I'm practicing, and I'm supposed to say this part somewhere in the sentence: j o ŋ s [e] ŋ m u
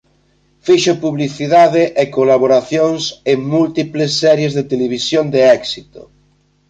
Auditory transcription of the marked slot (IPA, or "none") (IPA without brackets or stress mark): e